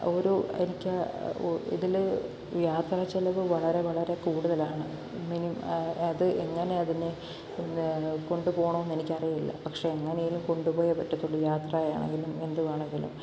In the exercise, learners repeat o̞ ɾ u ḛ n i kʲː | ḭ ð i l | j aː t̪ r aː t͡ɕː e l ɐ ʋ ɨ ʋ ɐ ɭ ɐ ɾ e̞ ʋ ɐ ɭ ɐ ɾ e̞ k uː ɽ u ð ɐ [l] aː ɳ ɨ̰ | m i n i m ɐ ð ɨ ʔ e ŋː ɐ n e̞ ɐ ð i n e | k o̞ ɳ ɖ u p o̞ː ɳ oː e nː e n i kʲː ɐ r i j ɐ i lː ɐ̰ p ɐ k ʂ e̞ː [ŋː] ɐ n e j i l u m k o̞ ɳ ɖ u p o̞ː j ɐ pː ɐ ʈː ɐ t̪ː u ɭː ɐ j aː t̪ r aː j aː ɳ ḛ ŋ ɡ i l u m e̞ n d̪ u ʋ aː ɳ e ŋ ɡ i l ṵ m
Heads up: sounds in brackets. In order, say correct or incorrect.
correct, correct

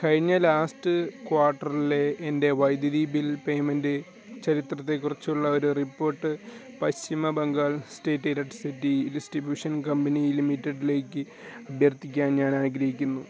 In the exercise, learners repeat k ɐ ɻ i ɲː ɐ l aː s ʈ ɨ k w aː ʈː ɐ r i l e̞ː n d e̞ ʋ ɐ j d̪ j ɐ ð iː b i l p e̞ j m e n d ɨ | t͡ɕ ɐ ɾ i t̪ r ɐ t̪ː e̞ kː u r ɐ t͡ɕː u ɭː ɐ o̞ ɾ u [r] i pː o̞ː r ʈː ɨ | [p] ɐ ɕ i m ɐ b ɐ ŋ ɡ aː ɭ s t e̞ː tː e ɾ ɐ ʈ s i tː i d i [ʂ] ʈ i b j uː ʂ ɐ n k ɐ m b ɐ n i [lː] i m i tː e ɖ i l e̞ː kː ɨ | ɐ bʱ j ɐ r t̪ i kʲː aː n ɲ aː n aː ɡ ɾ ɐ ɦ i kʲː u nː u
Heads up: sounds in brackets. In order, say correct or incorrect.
correct, correct, incorrect: s, incorrect: l

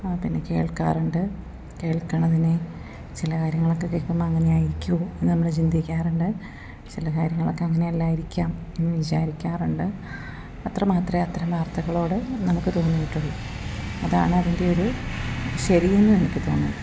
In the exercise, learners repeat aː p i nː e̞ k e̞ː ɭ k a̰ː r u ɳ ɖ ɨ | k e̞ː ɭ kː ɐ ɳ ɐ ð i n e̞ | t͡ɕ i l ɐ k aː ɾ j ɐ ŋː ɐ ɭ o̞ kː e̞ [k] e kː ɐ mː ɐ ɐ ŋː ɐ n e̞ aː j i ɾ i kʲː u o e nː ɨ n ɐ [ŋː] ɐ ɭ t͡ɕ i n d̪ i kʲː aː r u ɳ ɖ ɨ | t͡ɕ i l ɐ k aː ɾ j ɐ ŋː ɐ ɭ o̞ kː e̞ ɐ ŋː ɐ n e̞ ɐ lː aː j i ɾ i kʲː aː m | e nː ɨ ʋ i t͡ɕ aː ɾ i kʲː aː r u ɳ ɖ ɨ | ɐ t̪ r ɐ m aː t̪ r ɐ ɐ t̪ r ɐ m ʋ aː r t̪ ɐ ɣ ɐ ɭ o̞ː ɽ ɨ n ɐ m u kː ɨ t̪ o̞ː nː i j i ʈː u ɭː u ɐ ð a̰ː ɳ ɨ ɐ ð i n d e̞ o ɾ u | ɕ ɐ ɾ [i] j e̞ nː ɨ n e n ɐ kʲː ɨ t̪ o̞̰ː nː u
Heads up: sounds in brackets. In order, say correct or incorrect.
correct, incorrect: mː, correct

